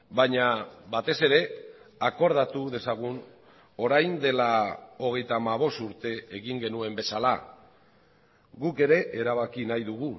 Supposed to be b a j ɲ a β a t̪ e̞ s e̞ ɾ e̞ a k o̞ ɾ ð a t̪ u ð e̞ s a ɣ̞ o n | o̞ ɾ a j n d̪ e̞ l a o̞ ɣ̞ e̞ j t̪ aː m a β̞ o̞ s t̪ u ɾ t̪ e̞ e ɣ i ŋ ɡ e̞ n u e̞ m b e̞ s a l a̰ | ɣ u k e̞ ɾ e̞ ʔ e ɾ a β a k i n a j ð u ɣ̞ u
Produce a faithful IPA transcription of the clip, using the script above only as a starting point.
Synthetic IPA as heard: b a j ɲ a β a t̪ e̞ s e̞ ɾ e̞ a k o̞ ɾ ð a t̪ u ð e̞ s a ɣ̞ u n | o̞ ɾ a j n d̪ e̞ l a o̞ ɣ̞ e̞ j t̪ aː m a β̞ o̞ s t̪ u ɾ t̪ e̞ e ɣ i ŋ ɡ e̞ n u e̞ m b e̞ s a l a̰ | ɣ u k e̞ ɾ e̞ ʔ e ɾ a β a k i n a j ð u ɣ̞ u